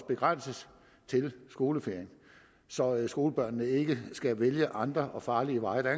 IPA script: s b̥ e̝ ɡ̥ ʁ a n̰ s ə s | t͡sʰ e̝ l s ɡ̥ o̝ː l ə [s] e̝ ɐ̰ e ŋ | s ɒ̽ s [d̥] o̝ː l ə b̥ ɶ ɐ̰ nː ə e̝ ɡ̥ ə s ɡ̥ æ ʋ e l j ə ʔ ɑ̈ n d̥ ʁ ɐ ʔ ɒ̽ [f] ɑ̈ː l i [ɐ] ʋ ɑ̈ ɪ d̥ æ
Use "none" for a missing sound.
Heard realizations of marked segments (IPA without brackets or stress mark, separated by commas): f, ɡ̥, f, ə